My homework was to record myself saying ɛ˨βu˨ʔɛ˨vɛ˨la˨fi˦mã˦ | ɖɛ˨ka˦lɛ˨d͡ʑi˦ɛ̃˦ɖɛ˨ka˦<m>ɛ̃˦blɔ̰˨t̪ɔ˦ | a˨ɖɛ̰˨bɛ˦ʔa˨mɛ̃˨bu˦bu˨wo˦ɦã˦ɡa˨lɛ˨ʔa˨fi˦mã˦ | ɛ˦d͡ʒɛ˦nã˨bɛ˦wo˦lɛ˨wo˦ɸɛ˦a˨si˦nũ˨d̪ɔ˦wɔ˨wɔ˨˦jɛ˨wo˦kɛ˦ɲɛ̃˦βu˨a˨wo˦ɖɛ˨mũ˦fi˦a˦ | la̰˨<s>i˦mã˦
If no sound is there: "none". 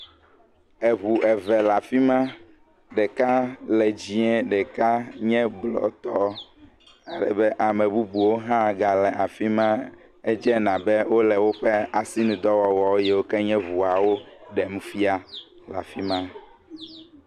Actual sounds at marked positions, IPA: ɲ, f

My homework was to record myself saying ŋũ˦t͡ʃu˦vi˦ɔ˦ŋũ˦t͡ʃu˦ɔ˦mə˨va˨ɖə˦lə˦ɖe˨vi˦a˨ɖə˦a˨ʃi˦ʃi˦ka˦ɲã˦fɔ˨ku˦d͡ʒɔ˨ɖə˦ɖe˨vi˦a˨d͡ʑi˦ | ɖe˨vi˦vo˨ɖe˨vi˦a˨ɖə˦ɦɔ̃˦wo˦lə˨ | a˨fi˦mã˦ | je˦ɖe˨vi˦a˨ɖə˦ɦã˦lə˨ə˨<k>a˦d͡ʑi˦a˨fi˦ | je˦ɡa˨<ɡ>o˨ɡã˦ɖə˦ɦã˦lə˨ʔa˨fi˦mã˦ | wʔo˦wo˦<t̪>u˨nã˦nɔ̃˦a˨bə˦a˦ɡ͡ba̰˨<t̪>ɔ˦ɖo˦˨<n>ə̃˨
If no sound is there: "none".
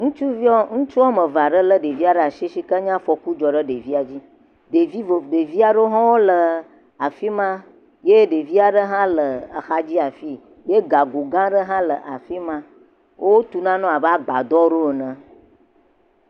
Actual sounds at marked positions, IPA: x, ɡ, t̪, d̪, n

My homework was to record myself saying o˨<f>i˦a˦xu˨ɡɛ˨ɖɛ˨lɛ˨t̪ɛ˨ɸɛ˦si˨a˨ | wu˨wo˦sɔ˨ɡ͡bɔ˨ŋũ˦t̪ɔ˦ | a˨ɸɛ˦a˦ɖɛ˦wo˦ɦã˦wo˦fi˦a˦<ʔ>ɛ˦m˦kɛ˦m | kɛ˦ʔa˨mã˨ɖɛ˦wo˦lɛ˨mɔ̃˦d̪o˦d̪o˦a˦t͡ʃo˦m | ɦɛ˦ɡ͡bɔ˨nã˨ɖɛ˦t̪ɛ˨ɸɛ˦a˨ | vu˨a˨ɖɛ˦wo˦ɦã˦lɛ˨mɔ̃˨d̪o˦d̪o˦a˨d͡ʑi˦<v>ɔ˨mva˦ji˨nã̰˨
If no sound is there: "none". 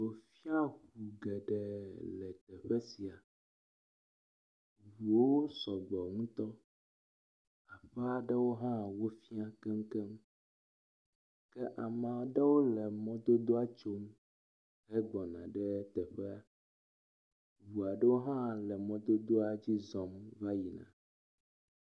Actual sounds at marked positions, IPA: f, k, z

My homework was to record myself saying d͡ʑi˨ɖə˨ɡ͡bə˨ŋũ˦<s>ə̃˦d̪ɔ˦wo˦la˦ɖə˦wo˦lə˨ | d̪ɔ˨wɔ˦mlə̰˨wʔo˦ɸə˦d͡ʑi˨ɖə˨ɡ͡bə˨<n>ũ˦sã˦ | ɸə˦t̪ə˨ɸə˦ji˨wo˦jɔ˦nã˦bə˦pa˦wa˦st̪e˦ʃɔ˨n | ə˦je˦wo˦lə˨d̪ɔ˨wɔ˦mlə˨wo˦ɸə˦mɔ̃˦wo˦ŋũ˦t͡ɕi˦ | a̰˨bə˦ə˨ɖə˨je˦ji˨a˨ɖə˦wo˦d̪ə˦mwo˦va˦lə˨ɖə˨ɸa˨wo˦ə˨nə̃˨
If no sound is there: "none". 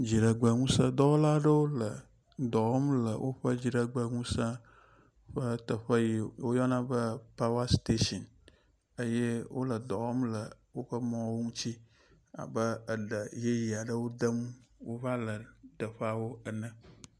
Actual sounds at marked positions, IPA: s, ŋ

